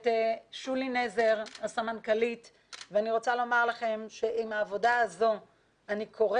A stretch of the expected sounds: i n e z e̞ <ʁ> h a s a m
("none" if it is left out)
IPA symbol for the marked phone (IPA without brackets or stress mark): ʁ